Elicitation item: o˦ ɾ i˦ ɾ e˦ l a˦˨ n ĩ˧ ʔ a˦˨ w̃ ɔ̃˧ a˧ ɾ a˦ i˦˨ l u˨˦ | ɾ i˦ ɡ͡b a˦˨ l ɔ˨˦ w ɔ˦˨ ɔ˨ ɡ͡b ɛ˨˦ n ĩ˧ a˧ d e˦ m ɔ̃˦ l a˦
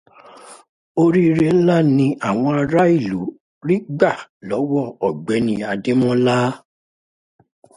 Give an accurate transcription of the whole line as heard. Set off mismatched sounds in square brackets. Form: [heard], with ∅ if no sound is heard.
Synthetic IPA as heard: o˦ ɾ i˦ ɾ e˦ l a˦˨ n ĩ˧ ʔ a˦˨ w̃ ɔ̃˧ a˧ ɾ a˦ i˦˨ l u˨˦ | ɾ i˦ ɡ͡b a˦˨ l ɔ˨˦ w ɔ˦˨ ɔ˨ ɡ͡b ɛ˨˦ n ĩ˧ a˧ d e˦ m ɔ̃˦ l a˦